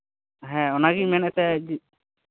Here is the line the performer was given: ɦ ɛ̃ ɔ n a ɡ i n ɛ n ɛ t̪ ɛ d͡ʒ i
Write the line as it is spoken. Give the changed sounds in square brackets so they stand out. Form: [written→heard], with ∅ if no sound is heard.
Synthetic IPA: ɦ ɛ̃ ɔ n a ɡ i [n→m] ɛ n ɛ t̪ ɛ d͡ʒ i